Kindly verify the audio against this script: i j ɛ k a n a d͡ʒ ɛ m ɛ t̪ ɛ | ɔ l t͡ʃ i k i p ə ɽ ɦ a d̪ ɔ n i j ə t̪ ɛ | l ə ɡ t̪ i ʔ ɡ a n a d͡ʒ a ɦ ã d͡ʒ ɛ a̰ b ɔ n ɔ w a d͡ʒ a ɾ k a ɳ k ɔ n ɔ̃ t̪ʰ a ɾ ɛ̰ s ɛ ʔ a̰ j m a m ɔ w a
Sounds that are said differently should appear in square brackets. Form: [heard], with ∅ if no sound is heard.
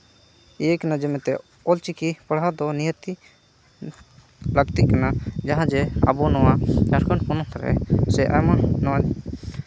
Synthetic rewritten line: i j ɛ k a n a d͡ʒ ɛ m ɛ t̪ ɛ | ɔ l t͡ʃ i k i p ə ɽ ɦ a d̪ ɔ n i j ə t̪ [i] | l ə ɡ t̪ i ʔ [k] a n a d͡ʒ a ɦ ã d͡ʒ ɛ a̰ b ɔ n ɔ w a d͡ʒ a ɾ k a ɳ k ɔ n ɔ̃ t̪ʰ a ɾ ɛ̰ s ɛ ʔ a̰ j m a [n] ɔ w a